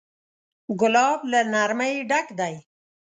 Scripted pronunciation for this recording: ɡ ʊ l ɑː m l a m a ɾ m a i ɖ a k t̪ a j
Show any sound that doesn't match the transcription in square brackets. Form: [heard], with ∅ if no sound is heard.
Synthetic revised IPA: ɡ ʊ l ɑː [b] l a [n] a ɾ m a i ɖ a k [d̪] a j